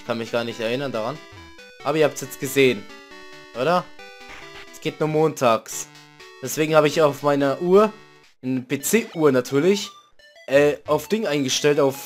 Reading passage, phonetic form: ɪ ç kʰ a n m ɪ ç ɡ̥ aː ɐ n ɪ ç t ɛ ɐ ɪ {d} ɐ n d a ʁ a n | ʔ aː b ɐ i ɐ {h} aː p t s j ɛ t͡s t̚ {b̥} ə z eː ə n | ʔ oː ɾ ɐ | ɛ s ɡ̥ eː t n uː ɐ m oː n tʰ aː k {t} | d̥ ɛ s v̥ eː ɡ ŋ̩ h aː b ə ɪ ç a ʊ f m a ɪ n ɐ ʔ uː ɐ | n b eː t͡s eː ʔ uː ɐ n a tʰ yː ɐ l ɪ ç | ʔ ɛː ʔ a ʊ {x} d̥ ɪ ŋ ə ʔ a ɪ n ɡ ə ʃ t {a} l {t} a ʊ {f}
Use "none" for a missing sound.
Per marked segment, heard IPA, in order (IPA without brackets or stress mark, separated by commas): n, h, ɡ̥, s, f, ɛ, t, f